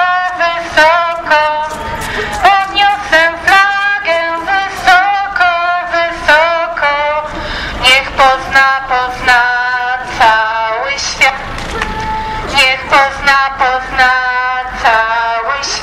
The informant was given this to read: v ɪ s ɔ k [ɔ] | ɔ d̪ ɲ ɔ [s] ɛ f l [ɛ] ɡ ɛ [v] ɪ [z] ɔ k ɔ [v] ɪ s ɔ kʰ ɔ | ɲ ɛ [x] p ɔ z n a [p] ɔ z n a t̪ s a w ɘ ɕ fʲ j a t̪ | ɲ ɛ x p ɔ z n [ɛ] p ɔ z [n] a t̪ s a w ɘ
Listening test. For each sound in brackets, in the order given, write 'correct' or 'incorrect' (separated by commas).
correct, correct, incorrect, correct, incorrect, correct, correct, correct, incorrect, correct